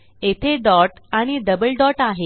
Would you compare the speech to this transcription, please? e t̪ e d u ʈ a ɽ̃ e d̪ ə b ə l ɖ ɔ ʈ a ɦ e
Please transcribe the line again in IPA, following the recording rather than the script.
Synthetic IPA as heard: e t̪ʰ e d ɔ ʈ a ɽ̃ i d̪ ə b ə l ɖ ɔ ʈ a ɦ e